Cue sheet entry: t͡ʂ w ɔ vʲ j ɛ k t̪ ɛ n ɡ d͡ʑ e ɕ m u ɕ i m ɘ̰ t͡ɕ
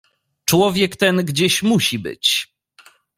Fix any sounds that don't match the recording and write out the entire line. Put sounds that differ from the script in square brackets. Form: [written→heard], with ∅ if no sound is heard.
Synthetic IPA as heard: t͡ʂ w ɔ vʲ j ɛ k t̪ ɛ n ɡ d͡ʑ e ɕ m u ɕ i [m→b] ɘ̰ t͡ɕ